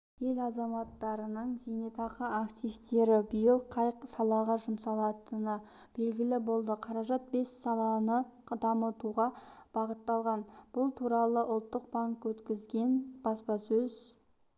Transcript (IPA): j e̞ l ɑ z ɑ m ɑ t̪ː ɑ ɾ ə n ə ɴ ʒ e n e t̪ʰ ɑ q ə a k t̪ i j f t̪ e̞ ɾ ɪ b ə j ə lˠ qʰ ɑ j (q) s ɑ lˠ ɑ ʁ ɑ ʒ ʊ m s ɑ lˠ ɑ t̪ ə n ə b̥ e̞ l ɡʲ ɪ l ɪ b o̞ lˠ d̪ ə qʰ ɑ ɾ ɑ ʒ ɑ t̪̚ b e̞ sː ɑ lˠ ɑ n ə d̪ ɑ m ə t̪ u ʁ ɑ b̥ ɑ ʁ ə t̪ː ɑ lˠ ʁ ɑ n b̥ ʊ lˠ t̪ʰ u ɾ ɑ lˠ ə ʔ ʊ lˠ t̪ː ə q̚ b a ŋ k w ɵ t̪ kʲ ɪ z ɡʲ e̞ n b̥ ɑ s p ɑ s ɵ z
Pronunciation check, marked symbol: correct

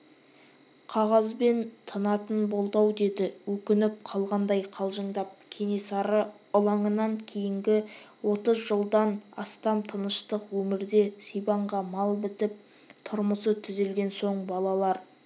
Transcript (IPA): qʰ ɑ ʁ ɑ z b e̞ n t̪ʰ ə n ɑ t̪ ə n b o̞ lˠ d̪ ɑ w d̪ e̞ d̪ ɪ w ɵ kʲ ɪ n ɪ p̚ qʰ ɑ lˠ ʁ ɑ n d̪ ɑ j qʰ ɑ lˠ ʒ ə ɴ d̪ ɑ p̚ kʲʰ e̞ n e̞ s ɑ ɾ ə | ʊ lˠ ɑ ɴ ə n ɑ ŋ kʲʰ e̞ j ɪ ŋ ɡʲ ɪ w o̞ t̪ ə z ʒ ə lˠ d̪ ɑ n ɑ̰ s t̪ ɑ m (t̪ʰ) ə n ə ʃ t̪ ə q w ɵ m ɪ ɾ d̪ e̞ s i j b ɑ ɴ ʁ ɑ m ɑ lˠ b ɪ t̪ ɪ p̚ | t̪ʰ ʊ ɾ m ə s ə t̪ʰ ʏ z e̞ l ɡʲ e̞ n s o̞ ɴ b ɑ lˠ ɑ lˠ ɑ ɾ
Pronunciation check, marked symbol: correct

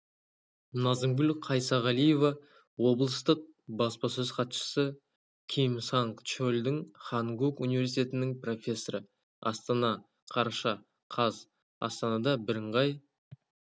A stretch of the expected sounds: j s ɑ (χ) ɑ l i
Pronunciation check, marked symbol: incorrect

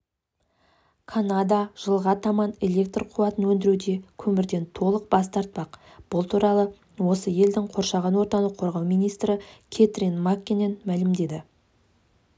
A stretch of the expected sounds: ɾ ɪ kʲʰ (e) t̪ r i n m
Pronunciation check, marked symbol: correct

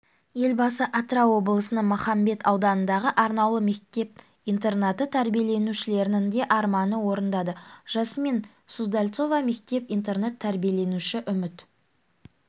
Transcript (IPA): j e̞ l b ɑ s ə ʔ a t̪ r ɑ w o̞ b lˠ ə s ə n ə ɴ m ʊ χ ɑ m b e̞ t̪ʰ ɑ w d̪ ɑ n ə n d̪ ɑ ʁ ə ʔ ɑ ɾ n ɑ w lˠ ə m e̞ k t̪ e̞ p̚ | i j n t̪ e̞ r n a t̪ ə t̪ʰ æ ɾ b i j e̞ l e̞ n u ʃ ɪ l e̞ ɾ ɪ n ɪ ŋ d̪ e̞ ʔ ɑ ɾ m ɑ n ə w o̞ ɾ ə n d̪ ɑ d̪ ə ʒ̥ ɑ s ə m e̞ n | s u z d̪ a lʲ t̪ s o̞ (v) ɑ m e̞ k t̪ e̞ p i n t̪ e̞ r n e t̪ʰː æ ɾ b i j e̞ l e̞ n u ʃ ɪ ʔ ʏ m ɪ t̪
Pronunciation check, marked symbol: correct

